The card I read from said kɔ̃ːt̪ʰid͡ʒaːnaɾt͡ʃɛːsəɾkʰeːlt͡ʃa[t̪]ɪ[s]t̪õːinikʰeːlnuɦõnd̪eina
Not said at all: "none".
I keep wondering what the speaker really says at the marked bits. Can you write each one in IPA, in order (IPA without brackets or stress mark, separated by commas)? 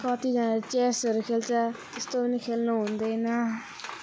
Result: t̪, s